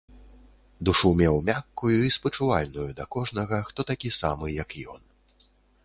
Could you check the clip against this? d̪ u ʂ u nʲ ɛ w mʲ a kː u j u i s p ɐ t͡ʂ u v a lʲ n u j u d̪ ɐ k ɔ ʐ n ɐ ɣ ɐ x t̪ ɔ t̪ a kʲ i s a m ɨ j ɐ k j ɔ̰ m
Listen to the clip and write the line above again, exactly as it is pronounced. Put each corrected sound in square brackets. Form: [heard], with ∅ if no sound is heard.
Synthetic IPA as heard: d̪ u ʂ u [mʲ] ɛ w mʲ a kː u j u i s p ɐ t͡ʂ u v a lʲ n u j u d̪ ɐ k ɔ ʐ n ɐ ɣ ɐ x t̪ ɔ t̪ a kʲ i s a m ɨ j ɐ k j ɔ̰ [n]

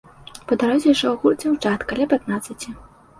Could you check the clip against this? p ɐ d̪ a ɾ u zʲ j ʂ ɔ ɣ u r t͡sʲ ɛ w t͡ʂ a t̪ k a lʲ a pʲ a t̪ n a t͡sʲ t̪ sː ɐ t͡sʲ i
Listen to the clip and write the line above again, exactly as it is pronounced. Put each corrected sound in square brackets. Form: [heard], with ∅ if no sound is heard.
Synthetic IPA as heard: p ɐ d̪ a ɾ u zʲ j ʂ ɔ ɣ u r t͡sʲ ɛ w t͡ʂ a t̪ k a lʲ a pʲ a t̪ n a [∅] t̪ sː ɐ t͡sʲ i

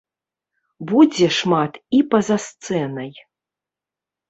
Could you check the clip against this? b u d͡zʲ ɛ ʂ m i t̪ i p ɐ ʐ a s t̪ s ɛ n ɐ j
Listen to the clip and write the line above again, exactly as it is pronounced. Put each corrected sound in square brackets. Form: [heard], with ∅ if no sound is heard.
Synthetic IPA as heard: b u d͡zʲ ɛ ʂ m [a] t̪ i p ɐ [z] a s t̪ s ɛ n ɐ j

